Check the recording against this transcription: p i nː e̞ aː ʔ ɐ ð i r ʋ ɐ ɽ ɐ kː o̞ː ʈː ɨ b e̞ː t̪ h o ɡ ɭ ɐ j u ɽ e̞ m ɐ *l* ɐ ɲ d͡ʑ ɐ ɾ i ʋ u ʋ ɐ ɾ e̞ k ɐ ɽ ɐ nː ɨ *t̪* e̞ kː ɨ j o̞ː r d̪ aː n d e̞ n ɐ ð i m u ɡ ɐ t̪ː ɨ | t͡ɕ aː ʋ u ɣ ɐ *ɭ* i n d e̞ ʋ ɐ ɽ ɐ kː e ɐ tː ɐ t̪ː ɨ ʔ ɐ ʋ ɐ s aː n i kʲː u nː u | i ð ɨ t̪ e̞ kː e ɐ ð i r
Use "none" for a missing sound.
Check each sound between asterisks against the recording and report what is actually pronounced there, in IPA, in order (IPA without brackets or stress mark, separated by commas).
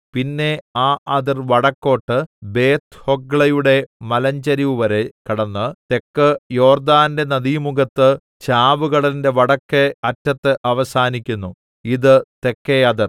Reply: l, t̪, ɭ